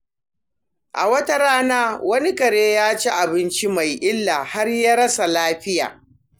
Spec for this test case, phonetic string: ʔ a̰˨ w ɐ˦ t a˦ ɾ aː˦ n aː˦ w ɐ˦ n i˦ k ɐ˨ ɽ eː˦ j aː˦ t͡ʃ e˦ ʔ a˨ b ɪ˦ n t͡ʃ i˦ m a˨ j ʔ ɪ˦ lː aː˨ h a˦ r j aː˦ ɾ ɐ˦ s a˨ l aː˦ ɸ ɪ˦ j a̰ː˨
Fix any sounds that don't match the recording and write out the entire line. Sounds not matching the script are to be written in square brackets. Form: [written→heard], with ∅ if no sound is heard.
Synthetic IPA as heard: ʔ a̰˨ w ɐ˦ t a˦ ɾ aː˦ n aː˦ w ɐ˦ n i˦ k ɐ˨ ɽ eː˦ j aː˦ t͡ʃ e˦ ʔ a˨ b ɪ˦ n t͡ʃ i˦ m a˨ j ʔ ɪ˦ lː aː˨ h a˦ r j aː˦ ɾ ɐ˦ s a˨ l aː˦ ɸ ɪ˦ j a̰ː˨